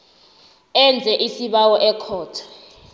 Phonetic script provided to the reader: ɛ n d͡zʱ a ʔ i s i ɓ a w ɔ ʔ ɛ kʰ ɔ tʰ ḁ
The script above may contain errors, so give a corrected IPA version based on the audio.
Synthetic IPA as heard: ɛ n d͡zʱ ɛ ʔ i s i ɓ a w ɔ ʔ ɛ kʰ ɔː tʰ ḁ

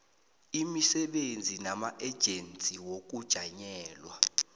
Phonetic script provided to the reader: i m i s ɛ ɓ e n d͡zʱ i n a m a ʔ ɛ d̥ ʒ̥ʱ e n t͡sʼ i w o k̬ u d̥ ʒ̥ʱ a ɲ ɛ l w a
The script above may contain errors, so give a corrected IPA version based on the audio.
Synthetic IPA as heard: i m i s ɛ ɓ e n d͡zʱ i n a m a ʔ ɛ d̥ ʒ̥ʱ e n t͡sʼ i w o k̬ u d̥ ʒ̥ʱ a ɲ ɛː l w a

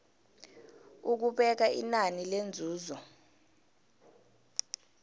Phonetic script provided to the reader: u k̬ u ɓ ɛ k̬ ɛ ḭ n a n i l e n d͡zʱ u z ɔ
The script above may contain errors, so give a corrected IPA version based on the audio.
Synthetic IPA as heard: u k̬ u ɓ ɛ k̬ a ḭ n a n i l e n d͡zʱ uː z ɔ

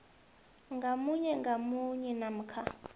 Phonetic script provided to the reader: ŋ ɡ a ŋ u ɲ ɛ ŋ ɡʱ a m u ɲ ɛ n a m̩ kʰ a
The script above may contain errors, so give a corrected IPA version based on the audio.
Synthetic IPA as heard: ŋ ɡ a m u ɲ ɛ ŋ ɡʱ a m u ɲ ɛ n a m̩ kʰ a

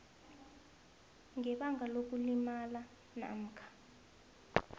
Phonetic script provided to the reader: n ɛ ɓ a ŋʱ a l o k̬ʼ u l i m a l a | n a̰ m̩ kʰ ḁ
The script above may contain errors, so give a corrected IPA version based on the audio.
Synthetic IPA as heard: ŋ ɛ ɓ a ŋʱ a l o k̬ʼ u l i m a l a | n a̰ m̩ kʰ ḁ

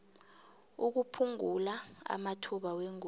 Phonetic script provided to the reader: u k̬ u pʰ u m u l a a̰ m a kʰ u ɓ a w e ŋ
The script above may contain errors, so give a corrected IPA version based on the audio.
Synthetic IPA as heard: u k̬ u pʰ u ŋ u l a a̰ m a tʰ u ɓ a w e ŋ

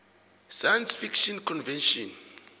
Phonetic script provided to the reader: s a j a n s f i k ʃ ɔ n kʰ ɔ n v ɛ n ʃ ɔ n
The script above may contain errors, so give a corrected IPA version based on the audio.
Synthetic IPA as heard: s a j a n s f i k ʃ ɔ n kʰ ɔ n v ɛ n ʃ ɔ n

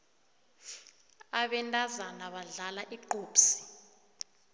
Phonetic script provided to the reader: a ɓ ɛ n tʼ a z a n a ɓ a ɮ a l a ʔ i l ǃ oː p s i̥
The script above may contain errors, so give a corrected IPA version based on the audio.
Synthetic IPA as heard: a ɓ ɛ n tʼ a z a n a ɓ a ɮ a l a ʔ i ǃ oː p s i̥

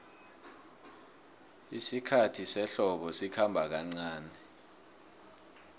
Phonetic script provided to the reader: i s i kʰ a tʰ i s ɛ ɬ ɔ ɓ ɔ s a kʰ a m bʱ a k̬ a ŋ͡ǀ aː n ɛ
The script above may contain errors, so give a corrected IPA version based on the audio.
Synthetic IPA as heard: i s i kʰ a tʰ i s ɛ ɬ ɔ ɓ ɔ s i kʰ a m bʱ a k̬ a ŋ͡ǀ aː n ɛ

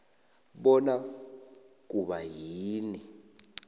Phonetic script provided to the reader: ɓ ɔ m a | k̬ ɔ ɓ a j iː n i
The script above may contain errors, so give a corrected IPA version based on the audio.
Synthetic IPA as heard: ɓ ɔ n a | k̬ u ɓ a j iː n i

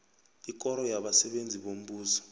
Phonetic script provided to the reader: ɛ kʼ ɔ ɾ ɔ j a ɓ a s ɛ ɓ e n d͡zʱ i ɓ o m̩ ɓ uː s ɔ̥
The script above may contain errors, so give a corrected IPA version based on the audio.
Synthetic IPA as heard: i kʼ ɔ ɾ ɔ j a ɓ a s ɛ ɓ e n d͡zʱ i ɓ o m̩ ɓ uː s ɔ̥

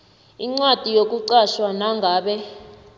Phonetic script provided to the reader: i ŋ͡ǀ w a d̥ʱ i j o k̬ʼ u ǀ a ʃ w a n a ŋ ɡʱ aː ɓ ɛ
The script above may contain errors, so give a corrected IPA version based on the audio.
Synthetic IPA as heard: i ŋ͡ǀ w a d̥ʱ i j o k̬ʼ u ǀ a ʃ w a n a ŋ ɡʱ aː ɓ ɛ

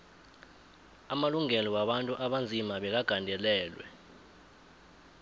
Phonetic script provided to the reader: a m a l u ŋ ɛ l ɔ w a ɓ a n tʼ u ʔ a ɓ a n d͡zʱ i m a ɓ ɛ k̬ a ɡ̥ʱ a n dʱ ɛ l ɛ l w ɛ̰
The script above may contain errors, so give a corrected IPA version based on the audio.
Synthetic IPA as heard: a m a l u ŋ ɛ l ɔ w a ɓ a n tʼ u ʔ a ɓ a n d͡zʱ i m a ɓ ɛ k̬ a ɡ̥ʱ a n dʱ ɛ l ɛː l w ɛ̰

